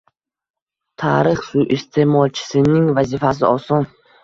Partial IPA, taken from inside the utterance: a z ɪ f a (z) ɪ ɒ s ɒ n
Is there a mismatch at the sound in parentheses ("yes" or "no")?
yes